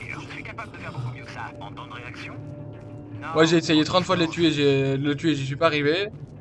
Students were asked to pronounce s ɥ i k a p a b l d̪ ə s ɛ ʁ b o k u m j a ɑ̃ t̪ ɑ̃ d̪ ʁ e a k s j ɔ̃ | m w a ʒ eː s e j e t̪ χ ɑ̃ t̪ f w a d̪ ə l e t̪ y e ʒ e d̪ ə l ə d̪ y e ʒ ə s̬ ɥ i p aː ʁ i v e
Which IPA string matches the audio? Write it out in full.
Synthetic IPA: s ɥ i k a p a b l d̪ ə f ɛ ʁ b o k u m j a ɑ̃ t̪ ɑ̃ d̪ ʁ e a k s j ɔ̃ | m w a ʒ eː s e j e t̪ χ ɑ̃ t̪ f w a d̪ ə l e t̪ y e ʒ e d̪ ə l ə t̪ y e ʒ ə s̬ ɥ i p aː ʁ i v e